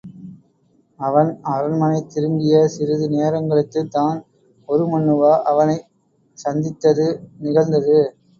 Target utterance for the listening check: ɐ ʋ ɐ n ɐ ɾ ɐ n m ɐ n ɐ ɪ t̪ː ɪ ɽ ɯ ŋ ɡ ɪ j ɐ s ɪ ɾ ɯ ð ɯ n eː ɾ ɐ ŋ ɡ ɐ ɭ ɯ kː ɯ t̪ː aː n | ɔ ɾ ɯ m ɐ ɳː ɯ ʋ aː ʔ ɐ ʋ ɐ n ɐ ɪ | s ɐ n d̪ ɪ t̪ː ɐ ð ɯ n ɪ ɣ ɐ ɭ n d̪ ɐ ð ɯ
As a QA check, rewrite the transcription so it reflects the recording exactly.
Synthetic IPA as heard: ɐ ʋ ɐ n ɐ ɾ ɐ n m ɐ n ɐ ɪ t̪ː ɪ ɾ ɯ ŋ ɡ ɪ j ɐ s ɪ ɾ ɯ ð ɯ n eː ɾ ɐ ŋ ɡ ɐ ɭ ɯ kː ɯ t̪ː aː n | ɔ ɾ ɯ m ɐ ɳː ɯ ʋ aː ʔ ɐ ʋ ɐ n ɐ ɪ | s ɐ n d̪ ɪ t̪ː ɐ ð ɯ n ɪ ɣ ɐ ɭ n d̪ ɐ ð ɯ